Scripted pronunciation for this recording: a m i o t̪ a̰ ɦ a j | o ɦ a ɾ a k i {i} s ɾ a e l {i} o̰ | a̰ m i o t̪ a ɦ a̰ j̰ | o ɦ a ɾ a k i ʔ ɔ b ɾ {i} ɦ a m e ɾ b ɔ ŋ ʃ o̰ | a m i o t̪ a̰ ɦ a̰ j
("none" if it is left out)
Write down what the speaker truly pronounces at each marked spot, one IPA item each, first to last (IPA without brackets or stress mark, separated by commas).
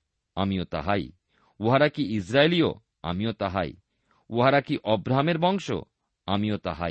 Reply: i, i, a